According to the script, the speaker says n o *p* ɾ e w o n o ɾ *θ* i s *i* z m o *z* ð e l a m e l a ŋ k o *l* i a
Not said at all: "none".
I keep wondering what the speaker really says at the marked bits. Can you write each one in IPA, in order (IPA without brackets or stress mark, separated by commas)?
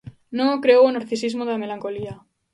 k, θ, i, none, l